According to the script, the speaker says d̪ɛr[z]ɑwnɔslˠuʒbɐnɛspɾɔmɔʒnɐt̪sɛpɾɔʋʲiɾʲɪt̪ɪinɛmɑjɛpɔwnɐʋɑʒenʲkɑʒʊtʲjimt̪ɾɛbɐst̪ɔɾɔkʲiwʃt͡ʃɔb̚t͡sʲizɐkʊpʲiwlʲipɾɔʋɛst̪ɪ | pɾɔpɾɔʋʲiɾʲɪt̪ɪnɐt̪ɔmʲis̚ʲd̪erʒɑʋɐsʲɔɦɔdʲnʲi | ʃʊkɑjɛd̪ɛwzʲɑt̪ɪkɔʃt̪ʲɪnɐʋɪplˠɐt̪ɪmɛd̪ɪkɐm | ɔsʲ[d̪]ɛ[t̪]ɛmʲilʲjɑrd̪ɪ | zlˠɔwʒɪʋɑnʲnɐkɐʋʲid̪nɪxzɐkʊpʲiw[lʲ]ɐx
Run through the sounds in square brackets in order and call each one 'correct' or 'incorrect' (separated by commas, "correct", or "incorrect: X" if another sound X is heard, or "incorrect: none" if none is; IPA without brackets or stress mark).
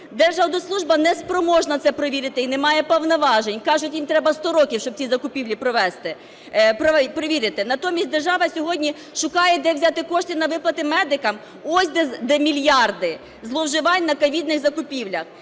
incorrect: ʒ, correct, incorrect: d̪, correct